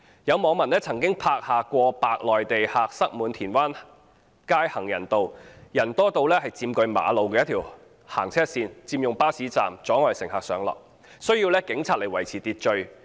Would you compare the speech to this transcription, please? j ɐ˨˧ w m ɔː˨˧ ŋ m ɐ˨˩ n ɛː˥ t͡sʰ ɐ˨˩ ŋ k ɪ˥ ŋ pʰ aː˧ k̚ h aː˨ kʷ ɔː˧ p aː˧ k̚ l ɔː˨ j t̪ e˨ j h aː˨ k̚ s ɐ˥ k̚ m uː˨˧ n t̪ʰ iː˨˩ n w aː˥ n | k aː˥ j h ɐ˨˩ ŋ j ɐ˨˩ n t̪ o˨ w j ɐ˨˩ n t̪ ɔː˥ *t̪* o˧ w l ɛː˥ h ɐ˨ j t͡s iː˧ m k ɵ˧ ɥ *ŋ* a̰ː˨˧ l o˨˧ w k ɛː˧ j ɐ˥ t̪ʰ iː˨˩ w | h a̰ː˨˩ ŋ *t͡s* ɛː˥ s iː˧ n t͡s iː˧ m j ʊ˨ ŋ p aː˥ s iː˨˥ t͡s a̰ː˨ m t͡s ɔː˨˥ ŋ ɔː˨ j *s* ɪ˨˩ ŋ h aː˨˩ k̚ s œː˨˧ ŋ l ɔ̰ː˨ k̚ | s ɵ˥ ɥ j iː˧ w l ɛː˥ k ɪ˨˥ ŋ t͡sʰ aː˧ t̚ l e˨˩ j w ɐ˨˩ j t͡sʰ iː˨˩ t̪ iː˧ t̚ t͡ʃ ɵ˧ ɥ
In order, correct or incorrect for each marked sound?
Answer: correct, incorrect: m, incorrect: t͡sʰ, correct

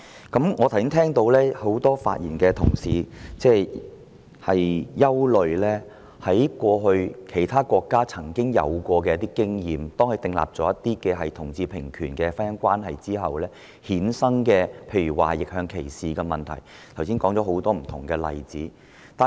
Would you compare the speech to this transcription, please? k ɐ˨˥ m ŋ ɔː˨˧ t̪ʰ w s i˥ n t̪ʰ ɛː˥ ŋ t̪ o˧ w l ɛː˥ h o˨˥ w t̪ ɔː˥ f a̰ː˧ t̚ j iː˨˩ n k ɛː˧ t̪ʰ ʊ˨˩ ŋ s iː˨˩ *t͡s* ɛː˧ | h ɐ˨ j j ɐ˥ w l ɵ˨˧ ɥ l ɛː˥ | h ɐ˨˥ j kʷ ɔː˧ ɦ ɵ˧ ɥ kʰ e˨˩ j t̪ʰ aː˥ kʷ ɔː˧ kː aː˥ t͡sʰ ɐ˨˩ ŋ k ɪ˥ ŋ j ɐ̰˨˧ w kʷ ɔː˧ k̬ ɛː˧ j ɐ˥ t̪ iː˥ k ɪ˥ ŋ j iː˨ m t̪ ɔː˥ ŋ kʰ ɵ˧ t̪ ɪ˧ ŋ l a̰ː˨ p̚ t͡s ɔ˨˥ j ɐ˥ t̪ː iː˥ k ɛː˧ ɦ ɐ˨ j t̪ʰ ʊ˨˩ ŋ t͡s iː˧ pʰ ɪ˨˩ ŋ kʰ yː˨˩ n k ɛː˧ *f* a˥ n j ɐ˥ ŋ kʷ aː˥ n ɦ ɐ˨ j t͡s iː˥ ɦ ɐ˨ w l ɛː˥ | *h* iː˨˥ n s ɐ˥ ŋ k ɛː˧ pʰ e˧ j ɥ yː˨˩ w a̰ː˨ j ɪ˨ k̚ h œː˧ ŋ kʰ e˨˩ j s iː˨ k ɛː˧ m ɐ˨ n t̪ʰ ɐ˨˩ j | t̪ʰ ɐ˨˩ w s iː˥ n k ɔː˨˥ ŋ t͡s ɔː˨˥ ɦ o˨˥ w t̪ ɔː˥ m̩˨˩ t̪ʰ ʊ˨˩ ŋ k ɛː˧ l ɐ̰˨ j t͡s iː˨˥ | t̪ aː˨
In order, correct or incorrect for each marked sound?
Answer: correct, correct, correct

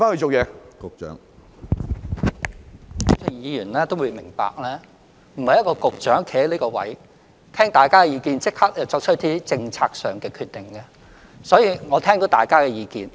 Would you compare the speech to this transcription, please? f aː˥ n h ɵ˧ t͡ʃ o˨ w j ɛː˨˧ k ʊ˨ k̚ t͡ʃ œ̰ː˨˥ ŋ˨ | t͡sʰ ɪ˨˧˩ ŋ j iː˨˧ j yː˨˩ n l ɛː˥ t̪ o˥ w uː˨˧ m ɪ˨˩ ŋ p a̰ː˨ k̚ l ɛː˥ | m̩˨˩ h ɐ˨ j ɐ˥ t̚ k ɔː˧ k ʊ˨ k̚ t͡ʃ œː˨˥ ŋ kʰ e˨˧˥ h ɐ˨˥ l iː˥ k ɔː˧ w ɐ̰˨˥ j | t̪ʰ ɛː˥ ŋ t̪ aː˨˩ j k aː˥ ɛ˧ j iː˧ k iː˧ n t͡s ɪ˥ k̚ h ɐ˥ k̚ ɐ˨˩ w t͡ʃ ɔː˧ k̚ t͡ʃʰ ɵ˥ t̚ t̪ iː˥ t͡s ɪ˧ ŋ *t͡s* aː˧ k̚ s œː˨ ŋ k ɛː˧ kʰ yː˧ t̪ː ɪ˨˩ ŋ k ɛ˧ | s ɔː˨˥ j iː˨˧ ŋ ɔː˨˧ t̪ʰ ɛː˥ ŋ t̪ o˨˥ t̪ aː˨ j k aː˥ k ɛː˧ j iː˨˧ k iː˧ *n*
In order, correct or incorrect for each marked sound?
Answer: incorrect: t͡sʰ, correct

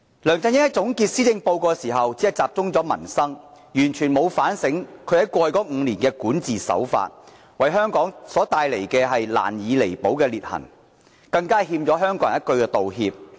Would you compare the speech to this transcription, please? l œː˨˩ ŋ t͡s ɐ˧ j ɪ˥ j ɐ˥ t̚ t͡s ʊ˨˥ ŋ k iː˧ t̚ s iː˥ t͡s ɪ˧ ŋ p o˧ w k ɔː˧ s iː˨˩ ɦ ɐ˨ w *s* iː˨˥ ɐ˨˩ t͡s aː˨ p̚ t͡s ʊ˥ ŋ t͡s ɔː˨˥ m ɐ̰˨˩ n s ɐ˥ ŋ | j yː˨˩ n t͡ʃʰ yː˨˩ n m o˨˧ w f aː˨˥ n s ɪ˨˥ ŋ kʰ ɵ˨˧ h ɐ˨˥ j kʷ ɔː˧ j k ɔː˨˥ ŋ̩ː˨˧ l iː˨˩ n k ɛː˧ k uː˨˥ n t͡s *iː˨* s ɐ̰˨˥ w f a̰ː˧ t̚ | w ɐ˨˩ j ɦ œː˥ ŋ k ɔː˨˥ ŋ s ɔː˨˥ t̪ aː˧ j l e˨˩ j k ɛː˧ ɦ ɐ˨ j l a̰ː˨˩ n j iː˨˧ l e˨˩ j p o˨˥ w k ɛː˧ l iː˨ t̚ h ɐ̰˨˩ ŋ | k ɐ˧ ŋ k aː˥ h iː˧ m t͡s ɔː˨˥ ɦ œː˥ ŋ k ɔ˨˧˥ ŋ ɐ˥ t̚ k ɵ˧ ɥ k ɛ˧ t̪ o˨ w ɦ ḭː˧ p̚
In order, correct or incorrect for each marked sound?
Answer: incorrect: t͡s, correct

